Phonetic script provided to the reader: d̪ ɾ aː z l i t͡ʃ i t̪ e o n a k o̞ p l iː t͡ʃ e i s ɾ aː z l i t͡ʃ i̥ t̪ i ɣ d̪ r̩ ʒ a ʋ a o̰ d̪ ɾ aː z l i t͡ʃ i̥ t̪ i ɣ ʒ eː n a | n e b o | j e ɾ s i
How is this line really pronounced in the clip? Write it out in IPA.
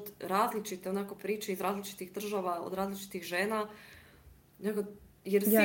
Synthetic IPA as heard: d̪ ɾ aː z l i t͡ʃ i t̪ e o n a k o̞ p ɾ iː t͡ʃ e i z ɾ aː z l i t͡ʃ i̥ t̪ i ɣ d̪ r̩ ʒ a ʋ a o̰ d̪ ɾ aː z l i t͡ʃ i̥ t̪ i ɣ ʒ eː n a | n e ɡ o | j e ɾ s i